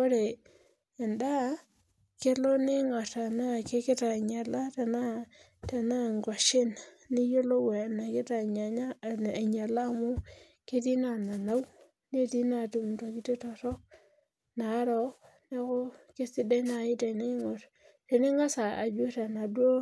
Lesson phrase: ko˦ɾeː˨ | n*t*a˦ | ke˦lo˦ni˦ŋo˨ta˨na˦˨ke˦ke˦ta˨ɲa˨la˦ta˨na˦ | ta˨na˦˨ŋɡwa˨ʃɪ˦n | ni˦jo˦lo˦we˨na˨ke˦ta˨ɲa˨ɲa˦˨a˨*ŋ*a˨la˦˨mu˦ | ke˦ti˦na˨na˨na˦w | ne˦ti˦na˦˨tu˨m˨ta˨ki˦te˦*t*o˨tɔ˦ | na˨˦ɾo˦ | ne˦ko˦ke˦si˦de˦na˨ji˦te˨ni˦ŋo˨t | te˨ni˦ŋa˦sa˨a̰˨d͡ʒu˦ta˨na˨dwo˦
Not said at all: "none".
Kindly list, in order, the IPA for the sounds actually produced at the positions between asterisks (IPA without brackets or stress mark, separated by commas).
d, ɲ, t